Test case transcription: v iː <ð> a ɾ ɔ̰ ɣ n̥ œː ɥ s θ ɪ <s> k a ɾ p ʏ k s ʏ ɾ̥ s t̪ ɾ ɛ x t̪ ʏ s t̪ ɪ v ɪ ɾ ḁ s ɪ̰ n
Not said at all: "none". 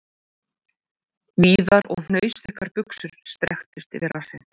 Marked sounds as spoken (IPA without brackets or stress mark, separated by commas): ð, h